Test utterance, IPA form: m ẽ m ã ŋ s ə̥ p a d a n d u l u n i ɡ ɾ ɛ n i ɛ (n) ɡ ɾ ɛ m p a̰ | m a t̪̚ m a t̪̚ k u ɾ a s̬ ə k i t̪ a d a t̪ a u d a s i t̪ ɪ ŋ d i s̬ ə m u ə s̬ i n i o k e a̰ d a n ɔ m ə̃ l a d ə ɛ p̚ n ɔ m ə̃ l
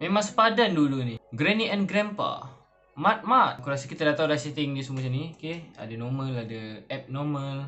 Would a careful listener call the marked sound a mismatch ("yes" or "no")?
no